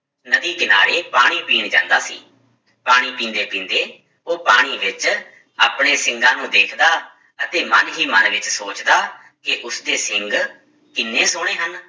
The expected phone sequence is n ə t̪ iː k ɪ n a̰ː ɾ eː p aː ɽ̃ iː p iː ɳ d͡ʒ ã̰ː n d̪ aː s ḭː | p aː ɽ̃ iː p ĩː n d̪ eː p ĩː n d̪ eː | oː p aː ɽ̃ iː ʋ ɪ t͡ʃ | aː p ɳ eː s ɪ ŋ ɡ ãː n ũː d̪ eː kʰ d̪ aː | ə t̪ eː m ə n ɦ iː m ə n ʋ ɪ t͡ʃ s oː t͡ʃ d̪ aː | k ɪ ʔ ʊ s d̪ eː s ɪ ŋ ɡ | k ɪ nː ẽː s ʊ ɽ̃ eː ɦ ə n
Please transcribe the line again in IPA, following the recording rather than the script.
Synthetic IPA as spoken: n ə d̪ iː k ɪ n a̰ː ɾ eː p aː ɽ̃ iː p iː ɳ d͡ʒ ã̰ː n d̪ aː s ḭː | p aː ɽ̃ iː p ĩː n d̪ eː p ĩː n d̪ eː | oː p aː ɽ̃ iː ʋ ɪ t͡ʃ | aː p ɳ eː s ɪ ŋ ɡ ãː n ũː d̪ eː kʰ d̪ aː | ə t̪ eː m ə n ɦ iː m ə n ʋ ɪ t͡ʃ s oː t͡ʃ d̪ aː | k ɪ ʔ ʊ s d̪ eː s ɪ ŋ ɡ | k ɪ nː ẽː s ʊ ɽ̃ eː ɦ ə n